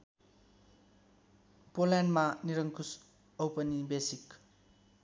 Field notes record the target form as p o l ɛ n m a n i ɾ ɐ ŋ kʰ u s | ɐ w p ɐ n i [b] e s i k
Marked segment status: correct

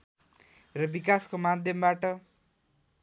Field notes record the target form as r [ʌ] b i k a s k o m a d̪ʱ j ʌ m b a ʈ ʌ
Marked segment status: correct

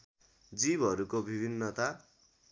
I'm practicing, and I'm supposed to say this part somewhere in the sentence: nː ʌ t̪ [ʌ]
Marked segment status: incorrect: a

